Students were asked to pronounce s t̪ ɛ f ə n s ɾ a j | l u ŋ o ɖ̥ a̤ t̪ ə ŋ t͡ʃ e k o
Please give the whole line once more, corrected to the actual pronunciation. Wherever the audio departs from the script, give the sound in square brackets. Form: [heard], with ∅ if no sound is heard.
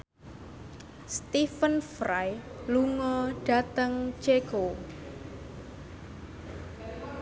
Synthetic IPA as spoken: s t̪ [i] f ə n [f] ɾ a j | l u ŋ [ɔ] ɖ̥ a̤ t̪ ə ŋ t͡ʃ e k o